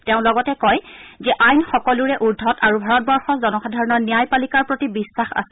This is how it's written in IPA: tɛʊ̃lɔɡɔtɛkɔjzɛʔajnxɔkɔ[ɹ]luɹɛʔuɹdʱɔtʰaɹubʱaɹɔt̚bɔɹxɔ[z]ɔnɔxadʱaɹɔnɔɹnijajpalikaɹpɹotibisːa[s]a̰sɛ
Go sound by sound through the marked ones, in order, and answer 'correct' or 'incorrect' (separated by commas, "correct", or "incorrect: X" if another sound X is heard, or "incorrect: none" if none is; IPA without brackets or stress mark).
incorrect: none, correct, incorrect: x